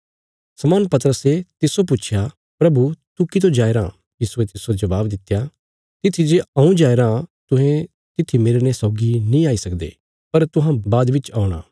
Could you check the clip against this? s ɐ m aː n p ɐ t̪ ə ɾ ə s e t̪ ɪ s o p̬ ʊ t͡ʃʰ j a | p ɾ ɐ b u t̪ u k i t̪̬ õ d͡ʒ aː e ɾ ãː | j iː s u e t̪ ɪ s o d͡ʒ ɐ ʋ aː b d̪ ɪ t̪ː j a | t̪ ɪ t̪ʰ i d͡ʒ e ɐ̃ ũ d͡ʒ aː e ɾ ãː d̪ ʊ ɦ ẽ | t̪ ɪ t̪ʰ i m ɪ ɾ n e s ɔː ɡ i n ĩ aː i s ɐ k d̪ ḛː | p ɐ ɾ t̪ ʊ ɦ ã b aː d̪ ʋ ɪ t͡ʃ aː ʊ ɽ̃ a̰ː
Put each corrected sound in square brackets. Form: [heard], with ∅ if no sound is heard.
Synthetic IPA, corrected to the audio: s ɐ m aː n p ɐ t̪ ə ɾ ə s e t̪ ɪ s o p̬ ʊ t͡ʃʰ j a | p ɾ ɐ b u t̪ u k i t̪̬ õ d͡ʒ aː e ɾ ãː | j iː s u e t̪ ɪ s o d͡ʒ ɐ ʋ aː b d̪ ɪ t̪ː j a | t̪ ɪ t̪ʰ i d͡ʒ e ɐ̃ ũ d͡ʒ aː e ɾ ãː [t̪] ʊ ɦ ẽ | t̪ ɪ t̪ʰ i m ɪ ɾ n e s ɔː ɡ i n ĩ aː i s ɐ k d̪ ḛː | p ɐ ɾ t̪ ʊ ɦ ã b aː d̪ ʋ ɪ t͡ʃ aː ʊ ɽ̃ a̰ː